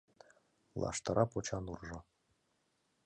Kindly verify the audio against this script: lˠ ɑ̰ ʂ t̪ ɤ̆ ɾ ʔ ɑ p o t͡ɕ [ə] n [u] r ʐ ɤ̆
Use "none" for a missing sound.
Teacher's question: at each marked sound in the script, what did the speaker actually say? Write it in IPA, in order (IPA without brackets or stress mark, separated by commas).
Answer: ɑ, u